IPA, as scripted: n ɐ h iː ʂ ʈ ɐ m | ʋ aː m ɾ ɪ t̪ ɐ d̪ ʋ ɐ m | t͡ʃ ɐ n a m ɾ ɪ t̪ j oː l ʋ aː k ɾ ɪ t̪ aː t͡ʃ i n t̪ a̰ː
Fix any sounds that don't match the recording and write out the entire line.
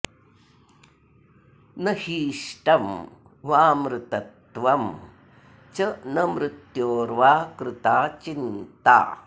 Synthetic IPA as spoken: n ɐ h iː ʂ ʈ ɐ m | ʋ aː m ɾ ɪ t̪ ɐ t̪ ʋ ɐ m | t͡ʃ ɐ n ɐ m ɾ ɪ t̪ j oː ɾ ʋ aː k ɾ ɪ t̪ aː t͡ʃ i n t̪ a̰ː